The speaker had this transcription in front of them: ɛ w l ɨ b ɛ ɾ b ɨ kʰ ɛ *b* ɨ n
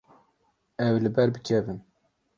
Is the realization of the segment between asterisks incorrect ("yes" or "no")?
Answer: yes